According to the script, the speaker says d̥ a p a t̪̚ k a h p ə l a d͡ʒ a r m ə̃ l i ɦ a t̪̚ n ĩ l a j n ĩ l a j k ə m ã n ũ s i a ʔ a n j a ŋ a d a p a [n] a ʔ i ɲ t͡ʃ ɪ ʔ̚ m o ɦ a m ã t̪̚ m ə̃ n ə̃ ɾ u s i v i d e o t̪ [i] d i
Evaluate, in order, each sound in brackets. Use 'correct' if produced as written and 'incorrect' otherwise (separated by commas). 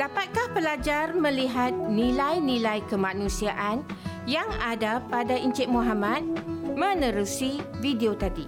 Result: incorrect, incorrect